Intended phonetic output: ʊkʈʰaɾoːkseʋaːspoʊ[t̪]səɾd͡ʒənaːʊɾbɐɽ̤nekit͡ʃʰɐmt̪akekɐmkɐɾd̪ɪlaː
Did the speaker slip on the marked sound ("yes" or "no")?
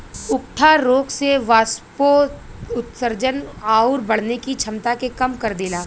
no